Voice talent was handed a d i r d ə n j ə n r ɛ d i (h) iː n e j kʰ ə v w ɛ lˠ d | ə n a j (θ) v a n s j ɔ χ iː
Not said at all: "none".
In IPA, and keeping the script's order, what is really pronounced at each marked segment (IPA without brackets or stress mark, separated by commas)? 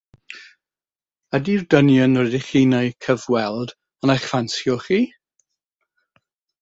χ, χ